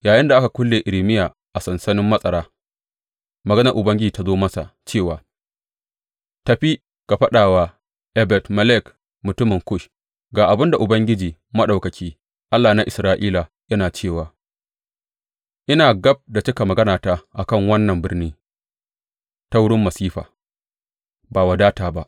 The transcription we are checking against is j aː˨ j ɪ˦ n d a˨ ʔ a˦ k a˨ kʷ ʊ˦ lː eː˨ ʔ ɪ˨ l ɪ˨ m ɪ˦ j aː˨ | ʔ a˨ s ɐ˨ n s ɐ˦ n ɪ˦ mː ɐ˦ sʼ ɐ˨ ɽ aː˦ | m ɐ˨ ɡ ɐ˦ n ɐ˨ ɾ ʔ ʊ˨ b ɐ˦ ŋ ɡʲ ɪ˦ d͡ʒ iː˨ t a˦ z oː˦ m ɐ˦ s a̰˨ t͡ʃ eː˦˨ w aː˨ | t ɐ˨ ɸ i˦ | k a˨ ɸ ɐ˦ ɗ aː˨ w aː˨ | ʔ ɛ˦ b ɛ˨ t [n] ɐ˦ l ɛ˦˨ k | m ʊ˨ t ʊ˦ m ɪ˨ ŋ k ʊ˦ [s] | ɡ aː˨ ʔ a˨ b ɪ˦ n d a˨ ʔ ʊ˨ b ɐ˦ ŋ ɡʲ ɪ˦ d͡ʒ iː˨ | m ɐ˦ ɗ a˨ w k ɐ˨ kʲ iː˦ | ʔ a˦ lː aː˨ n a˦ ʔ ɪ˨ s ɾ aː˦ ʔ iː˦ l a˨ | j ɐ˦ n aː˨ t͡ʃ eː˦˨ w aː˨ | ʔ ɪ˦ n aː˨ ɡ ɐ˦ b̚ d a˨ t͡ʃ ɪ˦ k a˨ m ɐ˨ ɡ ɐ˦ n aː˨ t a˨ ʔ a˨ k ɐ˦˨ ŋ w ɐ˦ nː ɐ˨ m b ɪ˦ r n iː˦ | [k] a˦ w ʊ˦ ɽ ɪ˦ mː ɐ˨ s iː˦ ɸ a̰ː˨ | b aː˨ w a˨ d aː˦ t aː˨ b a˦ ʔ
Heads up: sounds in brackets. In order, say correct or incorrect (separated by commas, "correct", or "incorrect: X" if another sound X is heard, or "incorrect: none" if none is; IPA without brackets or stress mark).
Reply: incorrect: m, incorrect: ʃ, incorrect: t